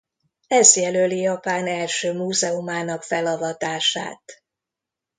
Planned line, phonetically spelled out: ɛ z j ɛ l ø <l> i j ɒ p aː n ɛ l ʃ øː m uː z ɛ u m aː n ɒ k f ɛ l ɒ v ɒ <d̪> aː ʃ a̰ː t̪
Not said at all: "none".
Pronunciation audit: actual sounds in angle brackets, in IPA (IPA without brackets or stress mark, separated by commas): l, t̪